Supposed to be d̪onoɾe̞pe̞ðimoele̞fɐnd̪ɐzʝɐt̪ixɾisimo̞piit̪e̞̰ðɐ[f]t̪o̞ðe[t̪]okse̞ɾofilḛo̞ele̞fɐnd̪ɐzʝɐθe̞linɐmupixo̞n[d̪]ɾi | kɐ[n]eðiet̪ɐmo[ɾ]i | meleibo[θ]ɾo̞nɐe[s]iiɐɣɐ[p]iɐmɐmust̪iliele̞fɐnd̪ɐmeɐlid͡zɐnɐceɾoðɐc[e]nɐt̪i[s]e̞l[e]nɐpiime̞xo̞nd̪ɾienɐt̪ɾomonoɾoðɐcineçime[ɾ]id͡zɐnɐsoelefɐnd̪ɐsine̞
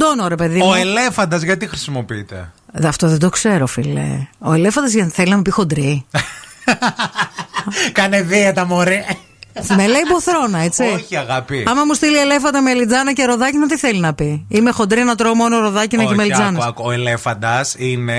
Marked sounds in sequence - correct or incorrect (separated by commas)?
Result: correct, incorrect, correct, correct, correct, correct, incorrect, correct, incorrect, incorrect, incorrect, incorrect